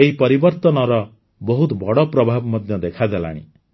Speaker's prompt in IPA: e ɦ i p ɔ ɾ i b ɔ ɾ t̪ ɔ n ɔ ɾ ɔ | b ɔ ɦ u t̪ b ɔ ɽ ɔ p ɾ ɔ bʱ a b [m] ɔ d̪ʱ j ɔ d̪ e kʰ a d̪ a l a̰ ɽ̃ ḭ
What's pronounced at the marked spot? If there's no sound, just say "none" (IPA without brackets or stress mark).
m